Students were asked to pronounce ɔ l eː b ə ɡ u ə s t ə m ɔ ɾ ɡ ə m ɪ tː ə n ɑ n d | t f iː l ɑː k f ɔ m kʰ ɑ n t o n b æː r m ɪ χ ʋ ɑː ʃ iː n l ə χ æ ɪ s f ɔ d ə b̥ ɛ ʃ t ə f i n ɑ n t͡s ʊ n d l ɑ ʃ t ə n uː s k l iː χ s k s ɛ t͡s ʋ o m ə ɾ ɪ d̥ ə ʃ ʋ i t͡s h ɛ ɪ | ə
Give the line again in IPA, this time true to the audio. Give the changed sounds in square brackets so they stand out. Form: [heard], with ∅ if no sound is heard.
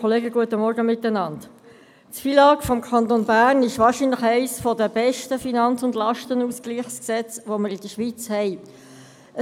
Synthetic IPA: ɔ l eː [ɡ] ə ɡ u ə [∅] t ə m ɔ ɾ ɡ ə m ɪ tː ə n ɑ n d | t f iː l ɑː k f ɔ m kʰ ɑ n t o n b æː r [n] ɪ [ʃ] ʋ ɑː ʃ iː n l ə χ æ ɪ s f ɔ d ə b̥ ɛ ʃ t ə f i n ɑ n t͡s ʊ n d l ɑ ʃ t ə n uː s k l iː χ s k s ɛ t͡s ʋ o m ə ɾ ɪ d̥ ə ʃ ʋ i t͡s h ɛ ɪ | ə